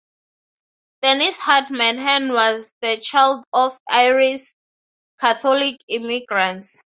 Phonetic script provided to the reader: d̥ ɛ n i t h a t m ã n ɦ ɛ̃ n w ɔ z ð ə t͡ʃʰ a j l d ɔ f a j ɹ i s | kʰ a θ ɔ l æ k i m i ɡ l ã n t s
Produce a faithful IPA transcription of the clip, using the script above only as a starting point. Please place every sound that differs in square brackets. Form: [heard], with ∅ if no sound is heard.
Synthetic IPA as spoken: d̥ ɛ n i [s] h a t m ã n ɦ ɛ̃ n w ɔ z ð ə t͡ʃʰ a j l d ɔ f a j ɹ i s | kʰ a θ ɔ l [i] k i m i ɡ [ɹ] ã n t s